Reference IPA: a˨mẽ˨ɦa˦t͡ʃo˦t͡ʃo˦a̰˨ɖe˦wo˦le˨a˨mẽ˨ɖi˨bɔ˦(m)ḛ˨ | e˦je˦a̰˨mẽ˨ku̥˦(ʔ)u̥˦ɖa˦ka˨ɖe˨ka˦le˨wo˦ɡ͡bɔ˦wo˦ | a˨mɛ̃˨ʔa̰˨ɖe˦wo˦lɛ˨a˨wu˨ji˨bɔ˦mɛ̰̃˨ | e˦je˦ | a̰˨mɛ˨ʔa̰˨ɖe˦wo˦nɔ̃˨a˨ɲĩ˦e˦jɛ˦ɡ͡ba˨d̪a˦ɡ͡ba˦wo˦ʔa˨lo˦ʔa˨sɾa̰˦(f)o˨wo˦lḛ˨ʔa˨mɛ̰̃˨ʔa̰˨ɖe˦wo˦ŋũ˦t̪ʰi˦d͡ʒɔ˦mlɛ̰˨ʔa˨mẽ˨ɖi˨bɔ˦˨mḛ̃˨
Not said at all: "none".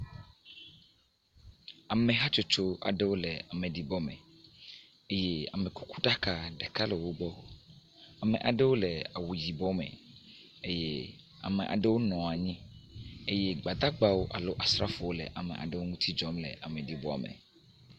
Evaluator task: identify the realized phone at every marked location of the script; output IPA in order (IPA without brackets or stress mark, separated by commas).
m, k, f